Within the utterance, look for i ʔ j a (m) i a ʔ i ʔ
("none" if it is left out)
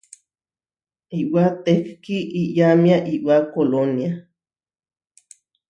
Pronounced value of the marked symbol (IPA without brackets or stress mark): m